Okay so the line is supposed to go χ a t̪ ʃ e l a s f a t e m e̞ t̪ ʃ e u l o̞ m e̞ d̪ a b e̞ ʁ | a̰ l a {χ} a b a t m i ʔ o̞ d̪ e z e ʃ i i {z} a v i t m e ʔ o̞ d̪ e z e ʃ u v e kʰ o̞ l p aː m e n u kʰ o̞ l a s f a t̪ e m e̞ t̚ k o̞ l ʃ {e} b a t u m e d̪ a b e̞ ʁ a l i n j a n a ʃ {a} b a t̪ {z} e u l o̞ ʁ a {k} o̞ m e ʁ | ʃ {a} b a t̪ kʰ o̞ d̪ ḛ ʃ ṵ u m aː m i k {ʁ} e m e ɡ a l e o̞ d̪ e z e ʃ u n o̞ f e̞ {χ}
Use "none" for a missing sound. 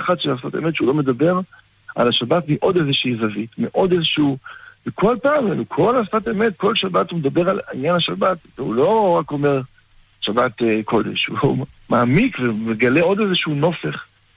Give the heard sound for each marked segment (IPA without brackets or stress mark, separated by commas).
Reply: ʃ, z, a, a, v, k, a, v, χ